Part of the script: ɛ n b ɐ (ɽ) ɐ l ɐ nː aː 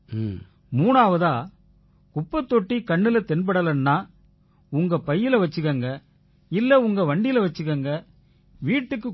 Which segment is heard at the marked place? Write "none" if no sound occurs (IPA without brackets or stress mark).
ɽ